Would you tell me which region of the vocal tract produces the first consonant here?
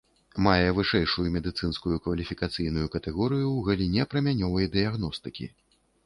lips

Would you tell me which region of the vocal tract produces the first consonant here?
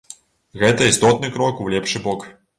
velum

